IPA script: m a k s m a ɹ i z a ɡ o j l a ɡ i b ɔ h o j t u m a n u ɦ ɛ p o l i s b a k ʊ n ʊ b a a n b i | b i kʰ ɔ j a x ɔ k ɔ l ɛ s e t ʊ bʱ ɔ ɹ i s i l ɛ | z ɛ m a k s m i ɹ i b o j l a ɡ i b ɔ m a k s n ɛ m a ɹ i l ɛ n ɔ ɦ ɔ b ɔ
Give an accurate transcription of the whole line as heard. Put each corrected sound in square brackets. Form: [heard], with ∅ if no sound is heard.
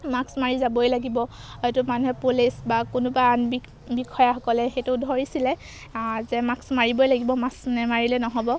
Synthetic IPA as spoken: m a k s m a ɹ i z a [b] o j l a ɡ i b ɔ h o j t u m a n u ɦ ɛ p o l i s b a k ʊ n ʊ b a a n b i | b i kʰ ɔ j a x ɔ k ɔ l ɛ [x] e t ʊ [dʱ] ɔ ɹ i s i l ɛ | z ɛ m a k s m [a] ɹ i b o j l a ɡ i b ɔ m a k s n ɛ m a ɹ i l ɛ n ɔ ɦ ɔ b ɔ